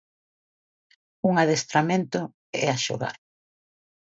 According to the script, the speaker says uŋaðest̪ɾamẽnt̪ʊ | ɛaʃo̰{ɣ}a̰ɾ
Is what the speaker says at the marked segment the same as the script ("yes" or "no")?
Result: yes